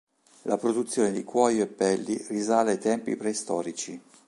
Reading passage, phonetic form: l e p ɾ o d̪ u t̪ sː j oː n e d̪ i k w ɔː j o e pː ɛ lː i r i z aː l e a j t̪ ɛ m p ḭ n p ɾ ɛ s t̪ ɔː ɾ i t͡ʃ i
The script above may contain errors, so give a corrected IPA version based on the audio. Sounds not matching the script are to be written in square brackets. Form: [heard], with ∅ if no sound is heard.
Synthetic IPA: l [a] p ɾ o d̪ u t̪ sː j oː n e d̪ i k w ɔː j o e pː ɛ lː i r i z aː l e a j t̪ ɛ m p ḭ [∅] p ɾ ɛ s t̪ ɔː ɾ i t͡ʃ i